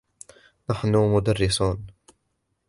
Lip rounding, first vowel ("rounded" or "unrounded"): unrounded